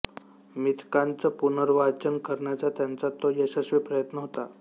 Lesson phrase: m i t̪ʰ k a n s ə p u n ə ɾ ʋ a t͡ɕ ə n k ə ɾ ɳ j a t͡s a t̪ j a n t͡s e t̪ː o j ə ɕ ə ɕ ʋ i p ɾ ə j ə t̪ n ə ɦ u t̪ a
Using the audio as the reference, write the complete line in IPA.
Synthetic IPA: m i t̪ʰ k a n t͡s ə p u n ə ɾ ʋ a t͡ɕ ə n k ə ɾ ɳ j a t͡s a t̪ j a n t͡s a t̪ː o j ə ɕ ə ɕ ʋ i p ɾ ə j ə t̪ n ə ɦ o t̪ a